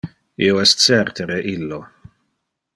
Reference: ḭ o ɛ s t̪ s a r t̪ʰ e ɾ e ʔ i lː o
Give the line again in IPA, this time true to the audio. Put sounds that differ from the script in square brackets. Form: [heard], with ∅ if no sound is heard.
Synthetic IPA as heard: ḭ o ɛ s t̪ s [ɛ] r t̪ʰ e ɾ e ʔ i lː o